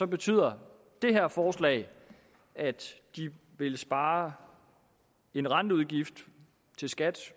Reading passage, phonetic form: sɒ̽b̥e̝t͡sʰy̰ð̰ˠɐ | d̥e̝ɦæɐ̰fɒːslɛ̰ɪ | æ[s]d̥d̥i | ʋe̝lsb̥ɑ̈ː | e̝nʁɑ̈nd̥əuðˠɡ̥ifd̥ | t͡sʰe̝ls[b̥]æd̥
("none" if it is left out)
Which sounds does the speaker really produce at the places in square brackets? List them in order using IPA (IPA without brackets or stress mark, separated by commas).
none, ɡ̥